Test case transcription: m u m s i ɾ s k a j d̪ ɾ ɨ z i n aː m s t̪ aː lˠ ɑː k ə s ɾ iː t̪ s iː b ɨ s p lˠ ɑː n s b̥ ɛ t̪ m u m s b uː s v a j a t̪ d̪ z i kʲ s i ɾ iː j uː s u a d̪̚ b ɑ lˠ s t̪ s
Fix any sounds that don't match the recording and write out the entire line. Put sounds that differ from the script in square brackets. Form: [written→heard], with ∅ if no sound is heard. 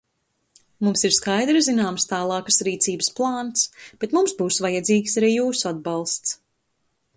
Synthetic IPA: m u m s i ɾ s k a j d̪ ɾ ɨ z i n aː m s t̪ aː lˠ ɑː k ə s ɾ iː t̪ s iː b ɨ s p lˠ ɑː n s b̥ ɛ t̪ m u m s b uː s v a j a [t̪→∅] d̪ z [i→iː] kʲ s [i→a] ɾ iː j uː s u a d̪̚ b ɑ lˠ s t̪ s

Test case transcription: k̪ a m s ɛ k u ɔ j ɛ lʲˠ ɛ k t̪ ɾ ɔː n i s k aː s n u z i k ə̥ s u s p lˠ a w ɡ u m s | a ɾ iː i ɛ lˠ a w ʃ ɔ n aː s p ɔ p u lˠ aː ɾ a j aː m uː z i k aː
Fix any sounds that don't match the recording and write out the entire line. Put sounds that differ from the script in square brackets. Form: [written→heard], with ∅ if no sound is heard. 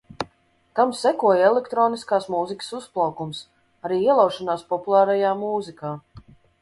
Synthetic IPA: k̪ a m s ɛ k u ɔ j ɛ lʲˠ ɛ k t̪ ɾ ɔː n i s k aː s [n→m] u z i k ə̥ s u s p lˠ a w [ɡ→k] u m s | a ɾ iː i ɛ lˠ a w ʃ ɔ n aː s p ɔ p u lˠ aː ɾ a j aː m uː z i k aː

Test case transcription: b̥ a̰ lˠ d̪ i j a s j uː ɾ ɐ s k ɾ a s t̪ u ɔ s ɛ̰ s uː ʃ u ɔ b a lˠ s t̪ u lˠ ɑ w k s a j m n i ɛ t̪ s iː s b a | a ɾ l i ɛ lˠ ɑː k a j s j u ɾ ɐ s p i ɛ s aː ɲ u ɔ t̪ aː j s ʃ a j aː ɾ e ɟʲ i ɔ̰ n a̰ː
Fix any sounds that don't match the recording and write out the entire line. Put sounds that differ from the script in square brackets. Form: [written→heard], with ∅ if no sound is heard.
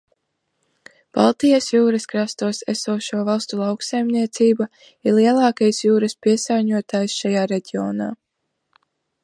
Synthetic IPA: b̥ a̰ lˠ [d̪→t̪] i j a s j uː ɾ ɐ s k ɾ a s t̪ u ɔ s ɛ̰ s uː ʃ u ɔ [b→v] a lˠ s t̪ u lˠ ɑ w k s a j m n i ɛ t̪ s iː [s→∅] b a | [a→i] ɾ l i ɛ lˠ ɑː k a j s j [u→uː] ɾ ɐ s p i ɛ s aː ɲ u ɔ t̪ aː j s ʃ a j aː ɾ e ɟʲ i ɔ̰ n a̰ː

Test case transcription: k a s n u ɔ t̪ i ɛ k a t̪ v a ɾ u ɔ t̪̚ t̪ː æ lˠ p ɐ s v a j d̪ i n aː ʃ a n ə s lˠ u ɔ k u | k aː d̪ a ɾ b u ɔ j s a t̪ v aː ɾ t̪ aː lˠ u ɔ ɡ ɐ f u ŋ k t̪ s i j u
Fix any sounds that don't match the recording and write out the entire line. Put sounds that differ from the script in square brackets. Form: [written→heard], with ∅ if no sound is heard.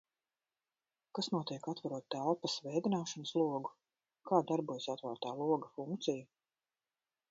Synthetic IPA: k a s n u ɔ t̪ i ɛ k a t̪ v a ɾ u ɔ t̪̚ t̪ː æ lˠ p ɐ s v [a→ɛ] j d̪ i n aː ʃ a n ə s lˠ u ɔ [k→ɡ] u | k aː d̪ a ɾ b u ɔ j s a t̪ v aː ɾ t̪ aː lˠ u ɔ ɡ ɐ f u ŋ k t̪ s i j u

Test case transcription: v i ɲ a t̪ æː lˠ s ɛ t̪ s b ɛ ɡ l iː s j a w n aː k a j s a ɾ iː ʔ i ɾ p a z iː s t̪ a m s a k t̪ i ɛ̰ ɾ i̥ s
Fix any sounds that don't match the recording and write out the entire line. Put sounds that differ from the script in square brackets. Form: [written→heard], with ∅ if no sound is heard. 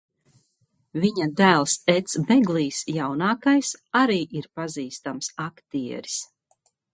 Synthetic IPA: v i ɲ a [t̪→d̪] æː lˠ s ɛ t̪ s b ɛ ɡ l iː s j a w n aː k a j s a ɾ iː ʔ i ɾ p a z iː s t̪ a m s a k t̪ i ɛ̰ ɾ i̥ s

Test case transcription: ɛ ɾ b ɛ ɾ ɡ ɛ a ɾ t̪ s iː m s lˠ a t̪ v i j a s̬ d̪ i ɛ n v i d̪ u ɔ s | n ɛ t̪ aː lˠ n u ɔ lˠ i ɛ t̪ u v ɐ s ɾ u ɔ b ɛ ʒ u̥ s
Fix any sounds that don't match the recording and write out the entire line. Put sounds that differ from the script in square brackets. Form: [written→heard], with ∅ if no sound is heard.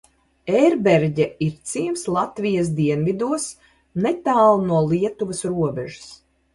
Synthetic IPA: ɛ ɾ b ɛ ɾ [ɡ→ɟ] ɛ [a→i] ɾ t̪ s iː m s lˠ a t̪ v i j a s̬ d̪ i ɛ n v i d̪ u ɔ s | n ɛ t̪ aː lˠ n u ɔ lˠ i ɛ t̪ u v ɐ s ɾ u ɔ b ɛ ʒ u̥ s

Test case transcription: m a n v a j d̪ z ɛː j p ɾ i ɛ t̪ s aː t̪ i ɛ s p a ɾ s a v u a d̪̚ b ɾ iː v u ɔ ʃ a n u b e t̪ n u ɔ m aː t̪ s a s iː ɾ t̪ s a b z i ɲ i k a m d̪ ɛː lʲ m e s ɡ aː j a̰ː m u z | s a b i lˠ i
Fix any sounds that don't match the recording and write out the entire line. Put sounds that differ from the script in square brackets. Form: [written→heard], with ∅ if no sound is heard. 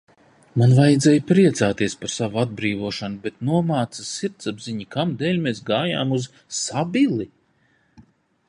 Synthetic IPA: m a n v a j d̪ z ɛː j p ɾ i ɛ t̪ s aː t̪ i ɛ s p a ɾ s a v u a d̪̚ b ɾ iː v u ɔ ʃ a n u b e t̪ n u ɔ m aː t̪ s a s [iː→i] ɾ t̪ s a b z i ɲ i k a m d̪ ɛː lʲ m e s ɡ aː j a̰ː m u z | s a b i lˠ i

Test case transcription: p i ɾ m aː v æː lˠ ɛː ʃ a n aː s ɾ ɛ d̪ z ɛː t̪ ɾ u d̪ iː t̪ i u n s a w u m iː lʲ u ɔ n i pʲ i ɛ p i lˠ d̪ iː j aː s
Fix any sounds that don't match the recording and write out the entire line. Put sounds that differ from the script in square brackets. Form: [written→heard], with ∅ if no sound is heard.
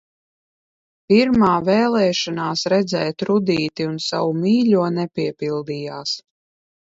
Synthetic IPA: p i ɾ m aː v [æː→ɛː] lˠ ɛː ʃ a n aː s ɾ ɛ d̪ z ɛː t̪ ɾ u d̪ iː t̪ i u n s a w u m iː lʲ u ɔ n [i→ɛ] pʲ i ɛ p i lˠ d̪ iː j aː s

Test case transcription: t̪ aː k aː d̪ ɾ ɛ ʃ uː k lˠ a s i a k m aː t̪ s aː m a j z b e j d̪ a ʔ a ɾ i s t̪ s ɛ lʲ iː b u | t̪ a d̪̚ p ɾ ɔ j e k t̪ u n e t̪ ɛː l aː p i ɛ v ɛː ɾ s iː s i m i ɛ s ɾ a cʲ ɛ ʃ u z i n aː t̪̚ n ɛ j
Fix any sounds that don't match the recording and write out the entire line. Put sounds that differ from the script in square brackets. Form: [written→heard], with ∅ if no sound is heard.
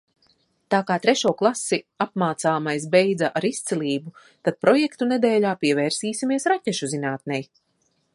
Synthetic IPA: t̪ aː k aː [d̪→t̪] ɾ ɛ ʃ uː k lˠ a s i a [k→p] m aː t̪ s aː m a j [z→s] b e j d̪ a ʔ a ɾ i s t̪ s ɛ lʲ iː b u | t̪ a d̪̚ p ɾ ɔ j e k t̪ u n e [t̪→d̪] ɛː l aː p i ɛ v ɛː ɾ s iː s i m i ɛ s ɾ a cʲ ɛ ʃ u z i n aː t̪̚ n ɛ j

